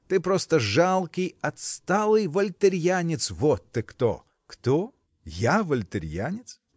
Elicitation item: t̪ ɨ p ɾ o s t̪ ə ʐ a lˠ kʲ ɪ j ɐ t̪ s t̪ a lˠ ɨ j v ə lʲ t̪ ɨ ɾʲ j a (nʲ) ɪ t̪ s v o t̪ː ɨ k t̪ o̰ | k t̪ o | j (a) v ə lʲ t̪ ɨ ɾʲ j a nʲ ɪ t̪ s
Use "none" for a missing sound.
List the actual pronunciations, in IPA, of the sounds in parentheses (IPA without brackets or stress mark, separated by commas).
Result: nʲ, a